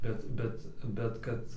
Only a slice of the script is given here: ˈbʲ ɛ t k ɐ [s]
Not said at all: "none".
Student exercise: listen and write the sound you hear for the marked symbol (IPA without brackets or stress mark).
t